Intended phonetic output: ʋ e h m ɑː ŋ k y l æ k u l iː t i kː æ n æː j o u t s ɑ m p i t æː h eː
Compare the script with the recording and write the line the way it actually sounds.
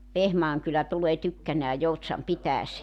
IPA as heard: ʋ e h m ɑː ŋ k y l æ t u l eː t y kː æ n æː j o u t s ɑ m p i t æː s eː